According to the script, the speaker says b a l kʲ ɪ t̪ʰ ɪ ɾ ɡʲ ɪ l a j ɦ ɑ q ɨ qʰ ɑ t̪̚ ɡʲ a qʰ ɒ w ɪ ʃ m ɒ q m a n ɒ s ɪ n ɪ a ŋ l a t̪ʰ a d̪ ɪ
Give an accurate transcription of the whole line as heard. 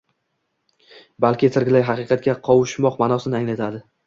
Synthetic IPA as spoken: b a l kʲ ɪ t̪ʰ ɪ ɾ ɡʲ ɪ l a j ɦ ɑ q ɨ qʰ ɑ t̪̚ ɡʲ a qʰ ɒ w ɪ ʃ m ɒ q m a n ɒ s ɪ n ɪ a ŋ l a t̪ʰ a d̪ ɪ

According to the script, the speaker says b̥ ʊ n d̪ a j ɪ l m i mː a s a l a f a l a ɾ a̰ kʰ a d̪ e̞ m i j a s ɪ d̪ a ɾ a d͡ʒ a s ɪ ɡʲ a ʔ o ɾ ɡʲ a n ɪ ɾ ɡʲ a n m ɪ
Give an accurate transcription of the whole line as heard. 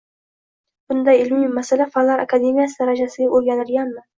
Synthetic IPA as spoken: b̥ ʊ n d̪ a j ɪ l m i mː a s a l a f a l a ɾ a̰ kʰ a d̪ e̞ m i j a s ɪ d̪ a ɾ a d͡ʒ a s ɪ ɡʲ a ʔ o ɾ ɡʲ a n ɪ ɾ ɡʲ a n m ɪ

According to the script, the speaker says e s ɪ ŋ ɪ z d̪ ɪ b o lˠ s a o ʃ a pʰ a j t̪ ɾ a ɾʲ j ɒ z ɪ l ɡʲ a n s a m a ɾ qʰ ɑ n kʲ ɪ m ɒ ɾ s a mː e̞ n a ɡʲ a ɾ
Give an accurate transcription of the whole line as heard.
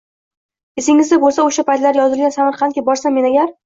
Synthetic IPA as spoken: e s ɪ ŋ ɪ z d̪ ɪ b o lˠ s a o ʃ a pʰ a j t̪ l a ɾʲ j ɒ z ɪ l ɡʲ a n s a m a ɾ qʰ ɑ n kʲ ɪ b ɒ ɾ s a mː e̞ n a ɡʲ a ɾ

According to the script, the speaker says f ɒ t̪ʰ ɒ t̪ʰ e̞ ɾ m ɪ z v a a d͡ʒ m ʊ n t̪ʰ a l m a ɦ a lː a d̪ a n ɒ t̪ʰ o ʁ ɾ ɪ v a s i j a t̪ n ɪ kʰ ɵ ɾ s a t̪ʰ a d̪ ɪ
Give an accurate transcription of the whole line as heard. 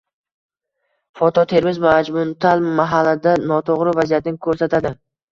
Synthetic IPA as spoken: f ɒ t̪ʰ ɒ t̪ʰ e̞ ɾ m ɪ z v a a d͡ʒ m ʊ n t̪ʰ a l m a ɦ a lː a d̪ a n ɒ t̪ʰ o ʁ ɾ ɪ v a z i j a t̪ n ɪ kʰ ɵ ɾ s a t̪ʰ a d̪ ɪ

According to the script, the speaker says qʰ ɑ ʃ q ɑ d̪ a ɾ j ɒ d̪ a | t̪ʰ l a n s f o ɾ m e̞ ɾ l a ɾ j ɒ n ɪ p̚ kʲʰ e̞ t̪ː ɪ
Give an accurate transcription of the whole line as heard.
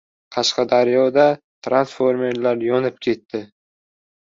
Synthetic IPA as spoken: qʰ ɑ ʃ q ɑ d̪ a ɾ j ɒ d̪ a | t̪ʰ ɾ a n s f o ɾ m e̞ ɾ l a ɾ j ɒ n ɪ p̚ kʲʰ e̞ t̪ː ɪ

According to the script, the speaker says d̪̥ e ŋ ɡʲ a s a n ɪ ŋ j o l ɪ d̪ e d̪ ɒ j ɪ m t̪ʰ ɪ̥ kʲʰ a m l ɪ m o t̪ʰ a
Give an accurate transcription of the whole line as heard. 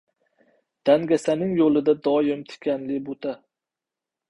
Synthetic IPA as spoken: d̪̥ a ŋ ɡʲ a s a n ɪ ŋ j o l ɪ d̪ a d̪ ɒ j ɪ m t̪ʰ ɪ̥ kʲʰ a n l ɪ b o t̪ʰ a

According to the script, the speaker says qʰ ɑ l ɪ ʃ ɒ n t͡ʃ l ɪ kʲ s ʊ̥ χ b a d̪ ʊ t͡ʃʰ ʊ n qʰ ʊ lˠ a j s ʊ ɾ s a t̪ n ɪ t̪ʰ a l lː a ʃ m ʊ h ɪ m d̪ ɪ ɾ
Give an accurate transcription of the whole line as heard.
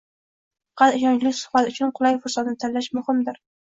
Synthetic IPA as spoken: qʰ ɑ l ɪ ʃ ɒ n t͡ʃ l ɪ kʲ s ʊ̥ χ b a t̪ ʊ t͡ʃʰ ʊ n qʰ ʊ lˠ a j f ʊ ɾ s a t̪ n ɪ t̪ʰ a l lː a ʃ m ʊ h ɪ m d̪ ɪ ɾ

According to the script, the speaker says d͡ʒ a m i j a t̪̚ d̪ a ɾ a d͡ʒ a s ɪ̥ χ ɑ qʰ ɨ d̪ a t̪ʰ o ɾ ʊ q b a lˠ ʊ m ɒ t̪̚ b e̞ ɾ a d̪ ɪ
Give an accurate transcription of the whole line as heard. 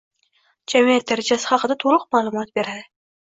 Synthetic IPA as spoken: d͡ʒ a m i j a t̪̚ d̪ a ɾ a d͡ʒ a s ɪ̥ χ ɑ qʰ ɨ d̪ a t̪ʰ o ɾ ʊ q m a lˠ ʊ m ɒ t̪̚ b e̞ ɾ a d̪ ɪ

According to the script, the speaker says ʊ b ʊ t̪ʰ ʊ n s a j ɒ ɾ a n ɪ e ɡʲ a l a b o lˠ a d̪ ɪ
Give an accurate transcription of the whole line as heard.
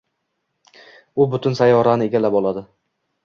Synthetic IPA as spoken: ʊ b ʊ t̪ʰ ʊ n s a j ɒ ɾ a n ɪ e ɡʲ a l a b ɒ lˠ a d̪ ɪ

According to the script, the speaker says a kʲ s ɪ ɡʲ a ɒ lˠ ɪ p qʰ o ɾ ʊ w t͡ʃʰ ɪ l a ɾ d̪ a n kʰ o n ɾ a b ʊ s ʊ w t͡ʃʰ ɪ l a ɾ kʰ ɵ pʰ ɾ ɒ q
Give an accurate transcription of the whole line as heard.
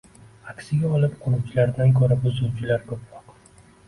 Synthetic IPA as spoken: a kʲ s ɪ ɡʲ a ɒ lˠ ɪ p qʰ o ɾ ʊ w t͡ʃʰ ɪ l a ɾ d̪ a n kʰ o ɾ a b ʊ z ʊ w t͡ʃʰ ɪ l a ɾ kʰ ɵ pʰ ɾ ɒ q

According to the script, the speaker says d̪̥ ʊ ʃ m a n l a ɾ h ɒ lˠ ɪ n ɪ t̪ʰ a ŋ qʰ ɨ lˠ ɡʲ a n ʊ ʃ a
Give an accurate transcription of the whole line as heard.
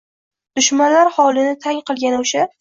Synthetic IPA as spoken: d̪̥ ʊ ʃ m a n l a ɾ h ɒ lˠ ɪ n ɪ t̪ʰ a ŋ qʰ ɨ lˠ ɡʲ a n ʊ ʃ a

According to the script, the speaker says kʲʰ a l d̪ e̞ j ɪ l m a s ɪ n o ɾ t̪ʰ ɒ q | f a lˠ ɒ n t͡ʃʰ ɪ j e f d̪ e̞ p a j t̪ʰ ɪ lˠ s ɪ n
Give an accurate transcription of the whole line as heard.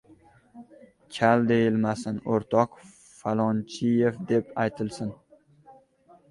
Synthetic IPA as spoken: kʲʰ a l d̪ e̞ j ɪ l m a s ɪ n o ɾ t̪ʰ ɒ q | f a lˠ ɒ n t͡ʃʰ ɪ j e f d̪ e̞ p a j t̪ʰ ɪ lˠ s ɪ n

